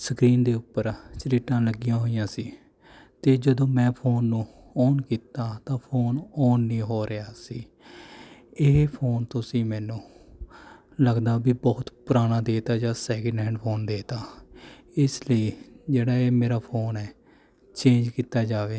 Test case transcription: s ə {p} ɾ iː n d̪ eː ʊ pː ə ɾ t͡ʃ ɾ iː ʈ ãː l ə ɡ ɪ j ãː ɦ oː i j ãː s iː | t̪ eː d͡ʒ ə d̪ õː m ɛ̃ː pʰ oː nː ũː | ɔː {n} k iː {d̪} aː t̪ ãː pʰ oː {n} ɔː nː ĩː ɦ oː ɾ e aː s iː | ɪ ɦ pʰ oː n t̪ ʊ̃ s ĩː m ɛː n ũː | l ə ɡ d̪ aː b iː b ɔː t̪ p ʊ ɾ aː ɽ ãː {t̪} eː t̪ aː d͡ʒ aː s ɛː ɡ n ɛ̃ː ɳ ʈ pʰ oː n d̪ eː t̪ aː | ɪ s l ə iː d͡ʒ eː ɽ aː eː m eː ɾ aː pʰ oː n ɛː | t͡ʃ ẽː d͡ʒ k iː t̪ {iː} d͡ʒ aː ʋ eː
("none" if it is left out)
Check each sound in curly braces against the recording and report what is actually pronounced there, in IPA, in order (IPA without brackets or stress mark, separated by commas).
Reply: k, n, t̪, n, d̪, aː